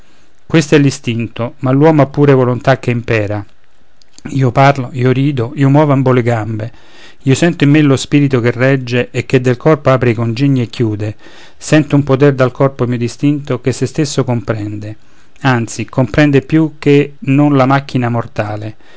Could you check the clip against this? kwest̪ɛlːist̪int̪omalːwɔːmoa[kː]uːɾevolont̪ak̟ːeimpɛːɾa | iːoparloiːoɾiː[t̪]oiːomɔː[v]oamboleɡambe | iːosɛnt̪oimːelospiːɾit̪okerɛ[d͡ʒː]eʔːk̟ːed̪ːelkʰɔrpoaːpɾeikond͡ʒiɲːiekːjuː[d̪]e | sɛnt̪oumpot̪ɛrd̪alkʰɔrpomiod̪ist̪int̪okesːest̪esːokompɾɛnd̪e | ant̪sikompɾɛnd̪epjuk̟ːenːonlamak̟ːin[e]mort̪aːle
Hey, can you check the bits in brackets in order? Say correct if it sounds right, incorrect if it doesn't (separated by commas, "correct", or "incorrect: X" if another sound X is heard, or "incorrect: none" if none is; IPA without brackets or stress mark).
incorrect: pː, incorrect: d̪, correct, correct, correct, incorrect: a